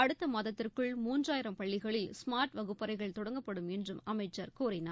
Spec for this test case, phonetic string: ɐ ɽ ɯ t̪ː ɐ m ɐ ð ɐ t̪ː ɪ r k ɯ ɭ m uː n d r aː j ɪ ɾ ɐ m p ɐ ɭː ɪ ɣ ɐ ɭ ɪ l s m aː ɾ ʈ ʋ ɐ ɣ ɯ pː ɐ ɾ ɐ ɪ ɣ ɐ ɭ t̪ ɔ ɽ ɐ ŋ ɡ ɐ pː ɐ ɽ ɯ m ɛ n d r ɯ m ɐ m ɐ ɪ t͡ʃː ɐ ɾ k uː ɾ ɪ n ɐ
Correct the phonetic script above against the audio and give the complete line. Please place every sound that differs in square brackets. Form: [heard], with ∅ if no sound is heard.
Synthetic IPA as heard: ɐ ɽ ɯ t̪ː ɐ m ɐ ð ɐ t̪ː ɪ r k ɯ ɭ m uː n d r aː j ɪ ɾ ɐ m p ɐ ɭː ɪ ɣ ɐ ɭ ɪ l s m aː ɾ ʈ ʋ ɐ ɣ ɯ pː ɐ ɾ ɐ ɪ ɣ ɐ ɭ t̪ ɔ ɽ ɐ ŋ ɡ ɐ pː ɐ ɽ ɯ m ɛ n d r ɯ m ɐ m ɐ ɪ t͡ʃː ɐ ɾ k uː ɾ ɪ n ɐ